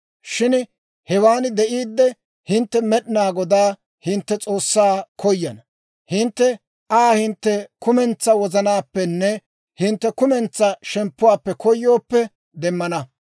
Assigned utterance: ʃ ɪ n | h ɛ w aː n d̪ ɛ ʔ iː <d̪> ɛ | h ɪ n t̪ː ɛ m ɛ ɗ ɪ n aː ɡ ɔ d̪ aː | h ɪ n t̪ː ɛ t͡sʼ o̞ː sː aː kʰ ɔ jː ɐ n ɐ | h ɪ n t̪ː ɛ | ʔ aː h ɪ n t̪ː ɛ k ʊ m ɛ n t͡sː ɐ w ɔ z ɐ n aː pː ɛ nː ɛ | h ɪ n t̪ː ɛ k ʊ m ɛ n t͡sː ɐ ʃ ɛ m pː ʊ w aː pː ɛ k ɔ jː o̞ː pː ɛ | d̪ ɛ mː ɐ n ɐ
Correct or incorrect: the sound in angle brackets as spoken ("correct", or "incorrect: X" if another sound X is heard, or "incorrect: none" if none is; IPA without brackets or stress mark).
incorrect: d̪ː